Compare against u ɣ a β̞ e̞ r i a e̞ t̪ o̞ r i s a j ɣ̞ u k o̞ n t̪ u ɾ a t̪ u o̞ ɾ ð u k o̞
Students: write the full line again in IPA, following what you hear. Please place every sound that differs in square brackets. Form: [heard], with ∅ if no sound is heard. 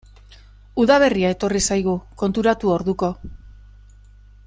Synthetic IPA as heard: u [ð] a β̞ e̞ r i a e̞ t̪ o̞ r i s a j ɣ̞ u k o̞ n t̪ u ɾ a t̪ u o̞ ɾ ð u k o̞